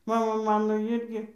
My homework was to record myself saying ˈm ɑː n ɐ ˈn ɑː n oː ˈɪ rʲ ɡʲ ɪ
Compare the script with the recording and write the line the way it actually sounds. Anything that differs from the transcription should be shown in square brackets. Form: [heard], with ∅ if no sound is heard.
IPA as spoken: ˈm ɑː [m] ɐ [ˈm] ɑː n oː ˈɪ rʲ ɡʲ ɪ

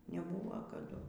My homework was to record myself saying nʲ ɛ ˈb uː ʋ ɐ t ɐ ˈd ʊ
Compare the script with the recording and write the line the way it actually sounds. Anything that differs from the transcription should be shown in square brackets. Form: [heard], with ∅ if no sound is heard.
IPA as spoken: nʲ ɛ ˈb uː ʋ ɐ [k] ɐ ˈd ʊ

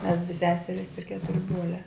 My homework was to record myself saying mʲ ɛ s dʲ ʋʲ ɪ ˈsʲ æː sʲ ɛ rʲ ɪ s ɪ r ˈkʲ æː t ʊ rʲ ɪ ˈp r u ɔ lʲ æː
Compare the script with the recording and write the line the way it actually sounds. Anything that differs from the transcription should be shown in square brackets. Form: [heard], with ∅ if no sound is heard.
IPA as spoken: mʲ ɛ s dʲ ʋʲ ɪ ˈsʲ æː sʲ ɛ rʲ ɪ s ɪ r ˈkʲ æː t ʊ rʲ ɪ [ˈb] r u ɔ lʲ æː

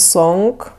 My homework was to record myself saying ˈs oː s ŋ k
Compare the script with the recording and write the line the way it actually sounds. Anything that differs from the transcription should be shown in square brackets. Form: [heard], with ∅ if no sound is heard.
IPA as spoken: ˈs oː [∅] ŋ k

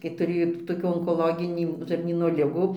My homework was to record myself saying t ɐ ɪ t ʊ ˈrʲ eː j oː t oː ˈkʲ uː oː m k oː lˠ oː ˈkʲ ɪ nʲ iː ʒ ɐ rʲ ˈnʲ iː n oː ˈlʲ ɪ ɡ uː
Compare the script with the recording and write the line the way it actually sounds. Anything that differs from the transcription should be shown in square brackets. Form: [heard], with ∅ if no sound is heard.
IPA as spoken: [k] ɐ ɪ t ʊ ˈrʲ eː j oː t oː ˈkʲ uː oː [ŋ] k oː lˠ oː [ˈɡʲ] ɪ nʲ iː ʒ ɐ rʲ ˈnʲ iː n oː ˈlʲ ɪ ɡ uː

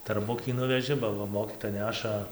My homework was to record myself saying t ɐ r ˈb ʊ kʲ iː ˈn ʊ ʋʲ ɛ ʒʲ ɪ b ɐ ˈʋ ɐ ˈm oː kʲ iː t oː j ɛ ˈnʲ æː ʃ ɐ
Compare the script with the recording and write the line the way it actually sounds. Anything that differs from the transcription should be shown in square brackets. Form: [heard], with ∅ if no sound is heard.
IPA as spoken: t ɐ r ˈb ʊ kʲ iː ˈn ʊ ʋʲ ɛ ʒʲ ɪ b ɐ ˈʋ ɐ ˈm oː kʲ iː t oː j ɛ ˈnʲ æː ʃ ɐ

